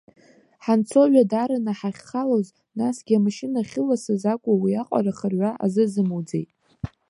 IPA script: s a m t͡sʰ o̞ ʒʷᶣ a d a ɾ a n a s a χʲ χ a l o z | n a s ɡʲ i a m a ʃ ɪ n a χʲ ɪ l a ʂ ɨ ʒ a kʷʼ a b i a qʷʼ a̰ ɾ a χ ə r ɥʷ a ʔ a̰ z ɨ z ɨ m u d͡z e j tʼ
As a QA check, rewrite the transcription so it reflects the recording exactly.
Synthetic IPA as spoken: ħ a n t͡sʰ o̞ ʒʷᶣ a d a ɾ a n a ħ a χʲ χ a l o z | n a s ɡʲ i a m a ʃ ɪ n a χʲ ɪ l a s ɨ z a kʷʼ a w i a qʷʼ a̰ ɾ a χ ə r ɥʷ a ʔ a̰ z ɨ z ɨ m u d͡z e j tʼ